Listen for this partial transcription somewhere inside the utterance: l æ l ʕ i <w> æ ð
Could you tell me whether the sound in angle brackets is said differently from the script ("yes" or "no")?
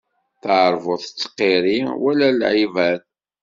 yes